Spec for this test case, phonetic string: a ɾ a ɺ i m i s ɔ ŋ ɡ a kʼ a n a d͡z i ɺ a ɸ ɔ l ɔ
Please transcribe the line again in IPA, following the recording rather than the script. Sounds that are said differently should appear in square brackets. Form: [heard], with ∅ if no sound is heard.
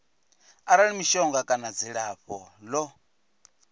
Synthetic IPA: a ɾ a ɺ i m i [ʃ] ɔ ŋ ɡ a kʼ a n a d͡z i ɺ a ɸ ɔ l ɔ